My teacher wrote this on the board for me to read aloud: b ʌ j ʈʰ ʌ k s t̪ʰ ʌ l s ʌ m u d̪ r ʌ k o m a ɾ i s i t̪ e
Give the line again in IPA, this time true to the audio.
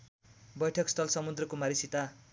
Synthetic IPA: b ʌ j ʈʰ ʌ k s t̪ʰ ʌ l s ʌ m u d̪ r ʌ k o m a ɾ i s i t̪ a